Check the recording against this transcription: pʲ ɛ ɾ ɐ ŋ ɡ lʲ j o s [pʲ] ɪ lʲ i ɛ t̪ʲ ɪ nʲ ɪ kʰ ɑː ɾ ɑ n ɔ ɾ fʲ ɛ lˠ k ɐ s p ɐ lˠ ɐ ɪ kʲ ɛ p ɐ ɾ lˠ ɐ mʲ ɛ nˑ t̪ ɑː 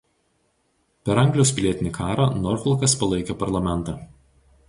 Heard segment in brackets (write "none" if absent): pʲ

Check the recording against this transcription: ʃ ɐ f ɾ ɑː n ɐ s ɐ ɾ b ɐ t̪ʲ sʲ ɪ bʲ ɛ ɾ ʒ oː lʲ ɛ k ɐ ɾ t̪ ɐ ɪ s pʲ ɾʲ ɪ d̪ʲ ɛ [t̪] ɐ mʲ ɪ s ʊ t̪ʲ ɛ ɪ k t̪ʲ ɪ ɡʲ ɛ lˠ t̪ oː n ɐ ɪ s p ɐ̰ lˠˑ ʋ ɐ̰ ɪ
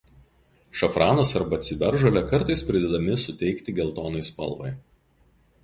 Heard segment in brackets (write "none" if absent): d̪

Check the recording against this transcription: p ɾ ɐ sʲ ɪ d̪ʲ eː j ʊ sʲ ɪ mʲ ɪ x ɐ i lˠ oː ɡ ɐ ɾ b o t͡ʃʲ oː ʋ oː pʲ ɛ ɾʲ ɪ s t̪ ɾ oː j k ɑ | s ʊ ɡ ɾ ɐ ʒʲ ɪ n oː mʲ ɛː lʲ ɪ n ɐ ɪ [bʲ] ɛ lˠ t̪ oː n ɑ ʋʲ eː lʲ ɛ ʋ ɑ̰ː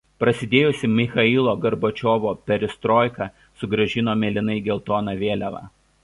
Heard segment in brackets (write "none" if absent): ɡʲ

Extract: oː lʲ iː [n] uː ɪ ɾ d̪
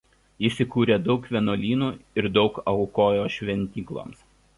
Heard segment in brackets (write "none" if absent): n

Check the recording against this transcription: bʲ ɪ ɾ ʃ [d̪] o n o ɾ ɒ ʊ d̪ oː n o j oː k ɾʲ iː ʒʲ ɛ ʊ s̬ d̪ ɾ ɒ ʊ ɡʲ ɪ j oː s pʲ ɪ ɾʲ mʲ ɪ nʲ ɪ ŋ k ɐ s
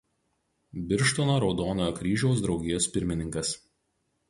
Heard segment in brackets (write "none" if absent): t̪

